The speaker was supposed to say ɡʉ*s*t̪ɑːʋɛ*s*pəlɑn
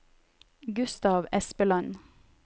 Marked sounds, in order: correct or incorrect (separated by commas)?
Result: correct, correct